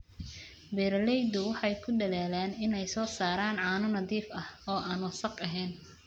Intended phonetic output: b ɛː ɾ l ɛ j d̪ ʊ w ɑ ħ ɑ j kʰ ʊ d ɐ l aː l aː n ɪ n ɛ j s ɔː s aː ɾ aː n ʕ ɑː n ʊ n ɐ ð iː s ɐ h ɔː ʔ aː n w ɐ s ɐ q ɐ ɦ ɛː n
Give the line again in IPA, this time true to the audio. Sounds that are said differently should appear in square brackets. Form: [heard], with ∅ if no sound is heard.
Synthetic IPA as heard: b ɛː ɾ l ɛ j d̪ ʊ w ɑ ħ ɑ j kʰ ʊ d ɐ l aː l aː n ɪ n ɛ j s ɔː s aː ɾ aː n ʕ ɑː n ʊ n ɐ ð iː [f] ɐ h ɔː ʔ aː n w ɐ s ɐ q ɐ ɦ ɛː n